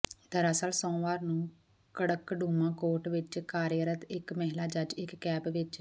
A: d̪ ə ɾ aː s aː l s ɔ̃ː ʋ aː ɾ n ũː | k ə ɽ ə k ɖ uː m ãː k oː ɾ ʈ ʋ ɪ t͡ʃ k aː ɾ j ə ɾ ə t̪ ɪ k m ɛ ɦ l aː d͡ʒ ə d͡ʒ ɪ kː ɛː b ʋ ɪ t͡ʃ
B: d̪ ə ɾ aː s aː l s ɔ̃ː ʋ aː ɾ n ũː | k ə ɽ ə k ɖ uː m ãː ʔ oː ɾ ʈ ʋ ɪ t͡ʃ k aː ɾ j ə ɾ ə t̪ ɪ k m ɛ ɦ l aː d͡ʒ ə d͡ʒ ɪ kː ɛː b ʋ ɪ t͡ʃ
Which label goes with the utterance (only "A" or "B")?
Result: A